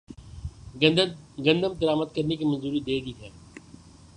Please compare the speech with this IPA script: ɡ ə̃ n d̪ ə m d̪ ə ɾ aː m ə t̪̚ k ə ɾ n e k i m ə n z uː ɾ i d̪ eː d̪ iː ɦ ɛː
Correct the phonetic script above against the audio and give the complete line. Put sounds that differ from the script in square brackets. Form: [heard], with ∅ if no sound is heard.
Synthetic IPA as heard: ɡ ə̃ n d̪ ə m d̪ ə ɾ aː m ə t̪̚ k ə ɾ n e k i m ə n z uː ɾ i d̪ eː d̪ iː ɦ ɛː